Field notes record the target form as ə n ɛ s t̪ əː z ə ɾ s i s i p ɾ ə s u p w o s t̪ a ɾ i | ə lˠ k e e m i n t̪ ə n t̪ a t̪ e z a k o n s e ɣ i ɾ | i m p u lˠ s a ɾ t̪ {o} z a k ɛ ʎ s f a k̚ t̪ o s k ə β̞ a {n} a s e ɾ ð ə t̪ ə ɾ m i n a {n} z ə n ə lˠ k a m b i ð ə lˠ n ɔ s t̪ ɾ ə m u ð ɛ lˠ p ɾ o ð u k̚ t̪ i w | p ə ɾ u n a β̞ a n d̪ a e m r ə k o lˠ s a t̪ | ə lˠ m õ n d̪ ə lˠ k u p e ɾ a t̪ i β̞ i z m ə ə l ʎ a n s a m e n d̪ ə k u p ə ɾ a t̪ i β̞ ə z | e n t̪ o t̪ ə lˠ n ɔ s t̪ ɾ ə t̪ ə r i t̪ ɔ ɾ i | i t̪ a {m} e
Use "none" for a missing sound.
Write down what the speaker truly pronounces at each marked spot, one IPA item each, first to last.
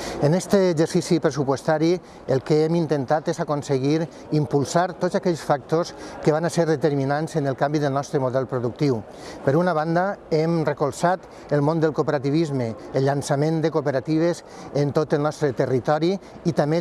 o, n, n, m

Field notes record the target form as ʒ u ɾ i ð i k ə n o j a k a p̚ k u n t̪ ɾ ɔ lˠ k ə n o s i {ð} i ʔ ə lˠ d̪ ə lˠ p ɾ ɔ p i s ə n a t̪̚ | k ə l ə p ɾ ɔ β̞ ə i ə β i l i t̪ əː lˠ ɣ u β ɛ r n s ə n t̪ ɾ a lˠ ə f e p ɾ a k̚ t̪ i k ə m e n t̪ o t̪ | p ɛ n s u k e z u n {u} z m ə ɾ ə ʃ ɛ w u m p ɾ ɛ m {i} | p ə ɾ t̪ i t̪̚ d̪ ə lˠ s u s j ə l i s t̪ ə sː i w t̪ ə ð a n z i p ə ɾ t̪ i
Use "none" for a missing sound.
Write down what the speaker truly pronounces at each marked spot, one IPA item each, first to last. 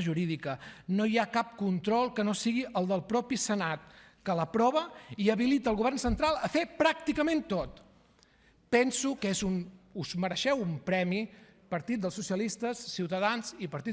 ɣ, u, i

